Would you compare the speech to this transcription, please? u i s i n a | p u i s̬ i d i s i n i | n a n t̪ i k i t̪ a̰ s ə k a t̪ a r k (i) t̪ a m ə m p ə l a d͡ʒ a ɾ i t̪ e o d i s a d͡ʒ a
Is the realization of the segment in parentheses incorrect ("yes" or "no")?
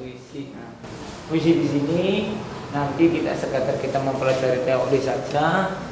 no